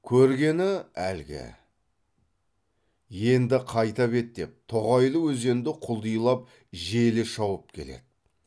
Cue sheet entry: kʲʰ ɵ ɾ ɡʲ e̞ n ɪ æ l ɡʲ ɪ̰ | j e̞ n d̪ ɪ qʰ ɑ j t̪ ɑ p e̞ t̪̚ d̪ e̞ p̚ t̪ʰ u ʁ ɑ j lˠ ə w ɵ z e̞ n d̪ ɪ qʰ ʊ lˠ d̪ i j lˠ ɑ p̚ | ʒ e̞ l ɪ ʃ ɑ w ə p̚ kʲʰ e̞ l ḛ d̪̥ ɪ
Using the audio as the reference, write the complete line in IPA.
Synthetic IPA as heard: kʲʰ ɵ ɾ ɡʲ e̞ n ɪ æ l ɡʲ ɪ̰ | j e̞ n d̪ ɪ qʰ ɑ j t̪ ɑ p e̞ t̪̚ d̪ e̞ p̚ t̪ʰ o ʁ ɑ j lˠ ə w ɵ z e̞ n d̪ ɪ qʰ ʊ lˠ d̪ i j lˠ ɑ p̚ | ʒ e̞ l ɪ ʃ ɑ w ə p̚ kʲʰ e̞ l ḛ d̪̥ ɪ